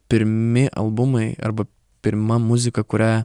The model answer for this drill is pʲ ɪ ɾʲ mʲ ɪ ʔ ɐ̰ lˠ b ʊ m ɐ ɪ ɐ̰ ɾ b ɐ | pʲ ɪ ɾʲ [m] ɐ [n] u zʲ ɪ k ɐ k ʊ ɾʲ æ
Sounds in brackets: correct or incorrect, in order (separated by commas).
correct, incorrect